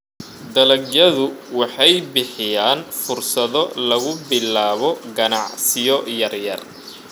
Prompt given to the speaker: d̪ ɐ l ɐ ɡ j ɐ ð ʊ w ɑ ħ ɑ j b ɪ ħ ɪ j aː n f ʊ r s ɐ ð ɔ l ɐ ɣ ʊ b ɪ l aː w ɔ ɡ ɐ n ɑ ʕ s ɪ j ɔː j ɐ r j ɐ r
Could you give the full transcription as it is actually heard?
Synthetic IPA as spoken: d̪ ɐ l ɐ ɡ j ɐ ð ʊ w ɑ ħ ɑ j b ɪ ħ ɪ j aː n f ʊ r s ɐ ð ɔ l ɐ ɣ ʊ b ɪ l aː β ɔ ɡ ɐ n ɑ ʕ s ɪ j ɔ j ɐ r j ɐ r